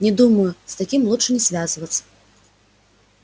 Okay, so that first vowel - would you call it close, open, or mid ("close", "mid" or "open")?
mid